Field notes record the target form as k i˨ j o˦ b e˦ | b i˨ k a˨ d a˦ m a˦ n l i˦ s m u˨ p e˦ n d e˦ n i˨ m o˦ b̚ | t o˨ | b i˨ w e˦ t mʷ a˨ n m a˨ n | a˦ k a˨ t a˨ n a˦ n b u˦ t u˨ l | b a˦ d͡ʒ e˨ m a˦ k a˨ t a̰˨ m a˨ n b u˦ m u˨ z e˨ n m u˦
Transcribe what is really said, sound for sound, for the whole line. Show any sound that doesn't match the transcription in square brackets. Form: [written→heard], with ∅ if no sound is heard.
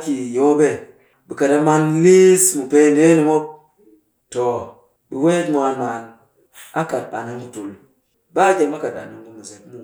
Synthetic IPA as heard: k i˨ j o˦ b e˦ | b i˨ k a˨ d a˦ m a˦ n l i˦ s m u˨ p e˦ n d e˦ n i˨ m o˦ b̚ | t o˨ | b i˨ w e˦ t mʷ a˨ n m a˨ n | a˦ k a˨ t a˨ n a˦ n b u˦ t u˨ l | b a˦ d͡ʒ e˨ m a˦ k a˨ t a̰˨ [m→n] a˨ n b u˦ m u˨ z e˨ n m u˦